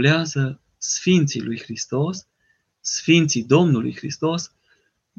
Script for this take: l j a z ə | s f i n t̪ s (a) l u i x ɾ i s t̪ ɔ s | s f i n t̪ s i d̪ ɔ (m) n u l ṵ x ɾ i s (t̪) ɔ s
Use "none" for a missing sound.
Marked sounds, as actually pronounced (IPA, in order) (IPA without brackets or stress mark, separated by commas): i, m, t̪